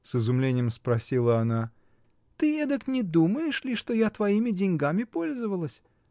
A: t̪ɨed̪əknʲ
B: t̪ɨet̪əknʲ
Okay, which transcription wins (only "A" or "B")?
A